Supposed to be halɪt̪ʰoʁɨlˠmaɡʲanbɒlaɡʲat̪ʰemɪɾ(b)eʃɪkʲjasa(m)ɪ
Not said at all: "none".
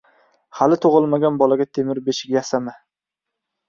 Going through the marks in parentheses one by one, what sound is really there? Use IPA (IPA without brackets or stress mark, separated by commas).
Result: b, m